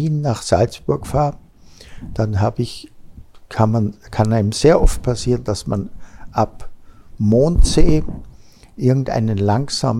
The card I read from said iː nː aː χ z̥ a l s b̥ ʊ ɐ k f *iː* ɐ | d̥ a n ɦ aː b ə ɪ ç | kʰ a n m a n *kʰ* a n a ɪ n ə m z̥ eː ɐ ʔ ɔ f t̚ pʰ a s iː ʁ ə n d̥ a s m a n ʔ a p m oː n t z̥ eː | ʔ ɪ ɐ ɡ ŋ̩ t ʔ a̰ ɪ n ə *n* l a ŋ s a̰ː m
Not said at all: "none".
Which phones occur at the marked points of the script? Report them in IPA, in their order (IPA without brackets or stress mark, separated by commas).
aː, kʰ, n